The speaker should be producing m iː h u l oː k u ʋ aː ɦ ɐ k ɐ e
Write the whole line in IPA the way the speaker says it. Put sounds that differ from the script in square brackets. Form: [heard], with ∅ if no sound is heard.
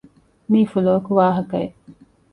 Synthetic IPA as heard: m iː [f] u l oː k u ʋ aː ɦ ɐ k ɐ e